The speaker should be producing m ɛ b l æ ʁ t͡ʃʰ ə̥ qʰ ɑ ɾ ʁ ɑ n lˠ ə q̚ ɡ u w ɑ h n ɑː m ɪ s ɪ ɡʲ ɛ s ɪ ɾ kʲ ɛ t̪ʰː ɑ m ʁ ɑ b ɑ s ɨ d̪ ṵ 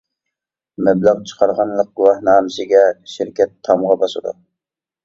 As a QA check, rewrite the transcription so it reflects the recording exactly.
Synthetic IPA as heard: m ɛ b l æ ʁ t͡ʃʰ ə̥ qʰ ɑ ɾ ʁ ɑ n lˠ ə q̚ ɡ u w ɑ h n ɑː m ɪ s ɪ ɡʲ ɛ ʃ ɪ ɾ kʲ ɛ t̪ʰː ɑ m ʁ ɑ b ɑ s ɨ d̪ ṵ